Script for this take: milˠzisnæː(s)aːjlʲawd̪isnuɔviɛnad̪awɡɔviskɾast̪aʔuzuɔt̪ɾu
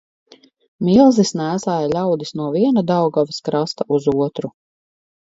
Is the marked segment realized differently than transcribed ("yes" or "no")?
no